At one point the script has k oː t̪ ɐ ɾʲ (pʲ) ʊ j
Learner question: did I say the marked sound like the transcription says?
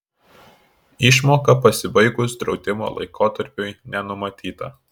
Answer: yes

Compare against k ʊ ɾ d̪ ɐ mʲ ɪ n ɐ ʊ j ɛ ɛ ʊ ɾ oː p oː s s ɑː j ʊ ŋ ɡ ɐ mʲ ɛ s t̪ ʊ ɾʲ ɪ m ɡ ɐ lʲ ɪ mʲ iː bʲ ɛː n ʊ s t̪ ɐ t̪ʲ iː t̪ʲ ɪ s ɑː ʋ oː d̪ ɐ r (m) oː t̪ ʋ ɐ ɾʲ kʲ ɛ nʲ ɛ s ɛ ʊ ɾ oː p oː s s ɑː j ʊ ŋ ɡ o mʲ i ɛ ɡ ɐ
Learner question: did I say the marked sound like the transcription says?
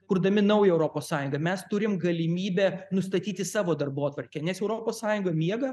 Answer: no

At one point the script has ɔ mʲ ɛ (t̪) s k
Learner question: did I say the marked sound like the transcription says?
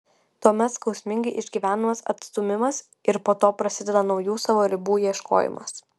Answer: yes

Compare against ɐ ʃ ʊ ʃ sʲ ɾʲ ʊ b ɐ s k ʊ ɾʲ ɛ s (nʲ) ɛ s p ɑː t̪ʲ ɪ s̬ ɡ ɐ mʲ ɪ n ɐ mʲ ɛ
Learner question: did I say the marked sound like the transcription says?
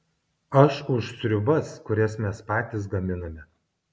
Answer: no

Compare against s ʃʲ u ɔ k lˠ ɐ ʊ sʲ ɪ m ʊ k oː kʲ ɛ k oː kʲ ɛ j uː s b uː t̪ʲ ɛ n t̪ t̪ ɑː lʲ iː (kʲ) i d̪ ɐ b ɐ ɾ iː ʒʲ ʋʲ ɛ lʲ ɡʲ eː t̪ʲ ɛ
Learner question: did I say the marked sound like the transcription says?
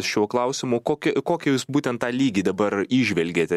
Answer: no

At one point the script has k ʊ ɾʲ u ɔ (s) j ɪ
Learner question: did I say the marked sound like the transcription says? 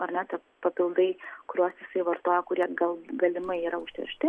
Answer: yes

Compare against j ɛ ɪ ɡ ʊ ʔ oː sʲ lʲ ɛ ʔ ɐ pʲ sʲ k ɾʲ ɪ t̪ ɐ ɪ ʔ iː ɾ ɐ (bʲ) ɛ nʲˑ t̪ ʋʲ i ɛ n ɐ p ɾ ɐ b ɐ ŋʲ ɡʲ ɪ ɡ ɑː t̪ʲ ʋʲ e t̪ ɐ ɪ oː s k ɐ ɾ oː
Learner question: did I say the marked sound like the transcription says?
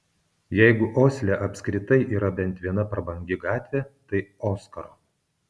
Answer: yes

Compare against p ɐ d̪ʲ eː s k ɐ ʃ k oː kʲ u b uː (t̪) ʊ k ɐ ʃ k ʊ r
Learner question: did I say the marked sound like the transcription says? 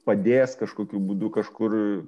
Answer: no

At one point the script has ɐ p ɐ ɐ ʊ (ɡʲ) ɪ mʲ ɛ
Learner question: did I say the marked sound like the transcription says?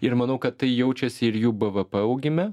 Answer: yes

